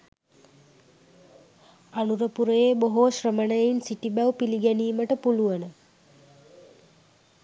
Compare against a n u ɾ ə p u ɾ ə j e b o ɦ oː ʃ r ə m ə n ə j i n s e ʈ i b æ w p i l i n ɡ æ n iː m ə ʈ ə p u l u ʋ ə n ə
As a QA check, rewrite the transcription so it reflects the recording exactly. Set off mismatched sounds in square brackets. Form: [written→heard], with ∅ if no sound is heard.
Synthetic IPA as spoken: a n u ɾ ə p u ɾ ə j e b o ɦ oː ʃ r ə m ə n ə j i n s [e→i] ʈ i b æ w p i l i [n→∅] ɡ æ n iː m ə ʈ ə p u l u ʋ ə n ə